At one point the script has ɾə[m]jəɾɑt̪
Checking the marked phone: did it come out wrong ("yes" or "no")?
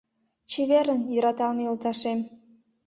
yes